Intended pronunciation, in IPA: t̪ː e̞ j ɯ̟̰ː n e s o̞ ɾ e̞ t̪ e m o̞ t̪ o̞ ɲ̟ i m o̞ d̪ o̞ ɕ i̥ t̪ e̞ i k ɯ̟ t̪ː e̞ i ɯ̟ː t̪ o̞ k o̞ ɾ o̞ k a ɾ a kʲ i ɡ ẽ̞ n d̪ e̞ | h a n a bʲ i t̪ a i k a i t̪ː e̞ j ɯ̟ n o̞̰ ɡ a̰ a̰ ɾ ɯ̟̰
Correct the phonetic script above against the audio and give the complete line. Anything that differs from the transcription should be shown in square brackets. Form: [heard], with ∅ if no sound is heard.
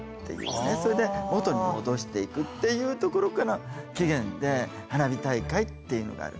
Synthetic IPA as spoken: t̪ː e̞ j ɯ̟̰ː n e s o̞ ɾ e̞ [d̪] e m o̞ t̪ o̞ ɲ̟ i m o̞ d̪ o̞ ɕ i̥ t̪ e̞ i k ɯ̟ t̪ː e̞ [j] ɯ̟ː t̪ o̞ k o̞ ɾ o̞ k a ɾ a kʲ i ɡ ẽ̞ n d̪ e̞ | h a n a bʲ i t̪ a i k a i t̪ː e̞ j ɯ̟ n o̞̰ ɡ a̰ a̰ ɾ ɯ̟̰